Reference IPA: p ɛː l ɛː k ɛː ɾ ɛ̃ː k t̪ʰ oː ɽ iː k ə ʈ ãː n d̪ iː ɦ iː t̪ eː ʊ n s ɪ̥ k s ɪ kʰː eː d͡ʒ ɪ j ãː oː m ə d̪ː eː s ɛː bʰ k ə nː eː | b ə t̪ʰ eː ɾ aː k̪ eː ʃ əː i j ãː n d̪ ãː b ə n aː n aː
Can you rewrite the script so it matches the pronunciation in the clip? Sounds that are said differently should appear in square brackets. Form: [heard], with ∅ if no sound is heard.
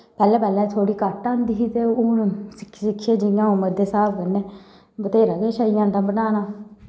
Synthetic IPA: p ɛː l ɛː [p] ɛː [l] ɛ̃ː [∅] t̪ʰ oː ɽ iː k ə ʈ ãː n d̪ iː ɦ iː t̪ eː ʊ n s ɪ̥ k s ɪ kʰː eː d͡ʒ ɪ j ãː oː m ə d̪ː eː s [aː] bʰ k ə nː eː | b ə [t̪] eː ɾ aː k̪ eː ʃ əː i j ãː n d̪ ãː b ə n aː n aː